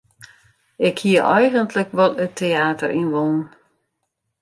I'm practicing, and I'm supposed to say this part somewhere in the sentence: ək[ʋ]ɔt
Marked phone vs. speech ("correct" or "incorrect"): correct